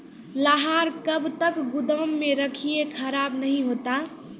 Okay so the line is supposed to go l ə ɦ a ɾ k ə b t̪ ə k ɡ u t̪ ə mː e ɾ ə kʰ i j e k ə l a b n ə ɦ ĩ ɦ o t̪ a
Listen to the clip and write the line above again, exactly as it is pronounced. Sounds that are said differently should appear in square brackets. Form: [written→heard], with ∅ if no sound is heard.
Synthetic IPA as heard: l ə ɦ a ɾ k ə b t̪ ə k ɡ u [t̪→d̪] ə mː e ɾ ə kʰ i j e [k→kʰ] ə [l→ɾ] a b n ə ɦ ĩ ɦ o t̪ a